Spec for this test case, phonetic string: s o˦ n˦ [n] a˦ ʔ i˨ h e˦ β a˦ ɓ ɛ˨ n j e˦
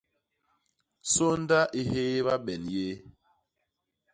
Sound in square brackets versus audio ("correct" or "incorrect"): incorrect